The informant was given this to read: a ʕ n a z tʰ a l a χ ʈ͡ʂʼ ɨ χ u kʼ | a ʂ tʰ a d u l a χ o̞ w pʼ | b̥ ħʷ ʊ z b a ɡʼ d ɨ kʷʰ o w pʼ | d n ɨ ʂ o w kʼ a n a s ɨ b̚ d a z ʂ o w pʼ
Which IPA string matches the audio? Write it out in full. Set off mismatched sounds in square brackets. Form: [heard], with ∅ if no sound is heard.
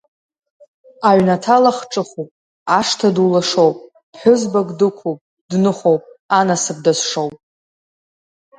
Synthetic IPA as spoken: a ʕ n a [∅] tʰ a l a χ ʈ͡ʂʼ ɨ χ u [pʼ] | a ʂ tʰ a d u l a [ʂ] o̞ w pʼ | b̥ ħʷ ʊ z b a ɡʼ d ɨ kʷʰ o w pʼ | d n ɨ [χ] o w [pʼ] a n a s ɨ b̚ d a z ʂ o w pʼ

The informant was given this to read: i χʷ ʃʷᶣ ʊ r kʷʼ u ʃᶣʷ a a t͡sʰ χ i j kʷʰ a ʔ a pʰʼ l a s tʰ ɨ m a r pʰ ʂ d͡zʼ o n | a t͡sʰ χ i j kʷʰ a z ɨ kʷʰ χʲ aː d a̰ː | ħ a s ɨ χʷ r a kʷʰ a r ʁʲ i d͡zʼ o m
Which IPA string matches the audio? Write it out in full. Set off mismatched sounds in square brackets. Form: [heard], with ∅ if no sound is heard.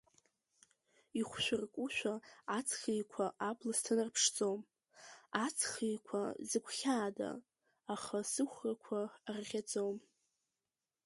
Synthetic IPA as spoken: i χʷ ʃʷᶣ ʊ r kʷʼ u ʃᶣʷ a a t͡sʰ χ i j kʷʰ a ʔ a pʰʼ l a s tʰ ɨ [n] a r pʰ ʂ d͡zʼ o [m] | a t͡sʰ χ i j kʷʰ a z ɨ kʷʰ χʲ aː d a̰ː | [χ] a s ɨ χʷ r a kʷʰ a r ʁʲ [a] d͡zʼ o m

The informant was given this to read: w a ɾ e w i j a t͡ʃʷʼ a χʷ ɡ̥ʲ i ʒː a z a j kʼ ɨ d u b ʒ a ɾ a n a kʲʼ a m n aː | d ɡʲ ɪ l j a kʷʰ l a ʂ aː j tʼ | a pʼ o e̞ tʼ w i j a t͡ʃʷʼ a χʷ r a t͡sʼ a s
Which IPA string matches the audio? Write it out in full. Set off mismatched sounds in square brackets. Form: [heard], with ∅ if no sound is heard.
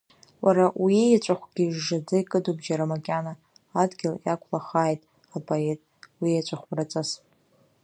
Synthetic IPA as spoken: w a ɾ [a] w i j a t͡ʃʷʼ a χʷ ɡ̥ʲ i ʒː a [d͡z] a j kʼ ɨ d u b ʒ a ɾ a [m] a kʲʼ a [∅] n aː | d ɡʲ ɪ l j a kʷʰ l a [χ] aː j tʼ | a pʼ o e̞ tʼ w i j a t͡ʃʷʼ a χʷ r a t͡sʼ a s

